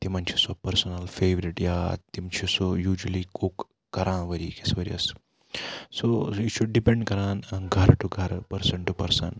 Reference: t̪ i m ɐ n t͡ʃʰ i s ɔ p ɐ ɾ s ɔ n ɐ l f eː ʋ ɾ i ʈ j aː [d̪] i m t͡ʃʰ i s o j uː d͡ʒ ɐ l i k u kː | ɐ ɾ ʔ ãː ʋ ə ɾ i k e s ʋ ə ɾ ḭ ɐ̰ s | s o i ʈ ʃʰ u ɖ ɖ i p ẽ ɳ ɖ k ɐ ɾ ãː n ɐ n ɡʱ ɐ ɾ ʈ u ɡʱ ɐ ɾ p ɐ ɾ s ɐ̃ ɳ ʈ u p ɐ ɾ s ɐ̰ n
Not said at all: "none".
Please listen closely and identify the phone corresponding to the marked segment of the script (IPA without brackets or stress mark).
t̪